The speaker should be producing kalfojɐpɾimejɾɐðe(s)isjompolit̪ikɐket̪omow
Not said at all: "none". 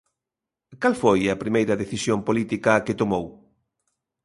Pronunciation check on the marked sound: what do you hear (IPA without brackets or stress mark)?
θ